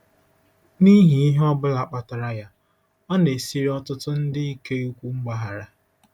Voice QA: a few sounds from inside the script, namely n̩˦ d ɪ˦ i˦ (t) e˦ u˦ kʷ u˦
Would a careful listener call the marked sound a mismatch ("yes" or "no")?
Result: yes